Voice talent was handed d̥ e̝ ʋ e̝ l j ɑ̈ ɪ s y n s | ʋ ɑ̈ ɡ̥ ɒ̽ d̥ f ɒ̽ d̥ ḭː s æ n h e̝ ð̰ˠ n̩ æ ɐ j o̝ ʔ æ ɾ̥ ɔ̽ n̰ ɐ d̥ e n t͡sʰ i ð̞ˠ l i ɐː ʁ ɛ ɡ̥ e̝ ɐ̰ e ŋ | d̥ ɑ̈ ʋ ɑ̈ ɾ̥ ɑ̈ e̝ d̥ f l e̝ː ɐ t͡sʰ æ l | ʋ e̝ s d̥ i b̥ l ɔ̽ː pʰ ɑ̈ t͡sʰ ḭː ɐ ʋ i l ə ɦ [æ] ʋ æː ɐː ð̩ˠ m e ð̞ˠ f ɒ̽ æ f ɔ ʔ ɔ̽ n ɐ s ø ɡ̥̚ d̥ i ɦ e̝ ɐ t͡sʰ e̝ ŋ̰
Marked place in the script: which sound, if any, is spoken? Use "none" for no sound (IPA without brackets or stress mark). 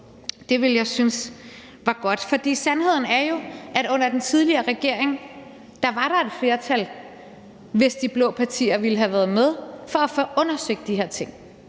æ